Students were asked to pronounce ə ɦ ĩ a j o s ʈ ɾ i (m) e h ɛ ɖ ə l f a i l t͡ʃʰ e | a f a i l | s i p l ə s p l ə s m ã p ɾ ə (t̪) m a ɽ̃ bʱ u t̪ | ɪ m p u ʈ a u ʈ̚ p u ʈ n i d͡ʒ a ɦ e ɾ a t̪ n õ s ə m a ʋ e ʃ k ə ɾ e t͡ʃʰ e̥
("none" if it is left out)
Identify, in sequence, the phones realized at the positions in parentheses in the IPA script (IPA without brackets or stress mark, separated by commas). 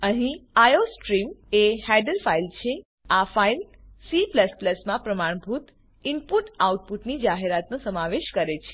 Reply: m, none